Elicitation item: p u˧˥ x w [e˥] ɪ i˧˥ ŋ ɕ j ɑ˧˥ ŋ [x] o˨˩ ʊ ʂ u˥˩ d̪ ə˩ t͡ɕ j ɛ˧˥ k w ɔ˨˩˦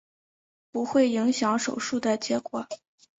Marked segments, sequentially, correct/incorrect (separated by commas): incorrect, incorrect